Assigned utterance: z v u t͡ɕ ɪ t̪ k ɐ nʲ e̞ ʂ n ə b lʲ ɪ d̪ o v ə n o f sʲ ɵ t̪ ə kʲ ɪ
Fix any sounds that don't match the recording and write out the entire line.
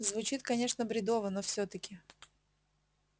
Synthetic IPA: z v ʊ t͡ɕ i t̪ k ɐ nʲ e̞ ʂ n ə b ɾʲ ɪ d̪ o v ə n o f sʲ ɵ t̪ ə kʲ ɪ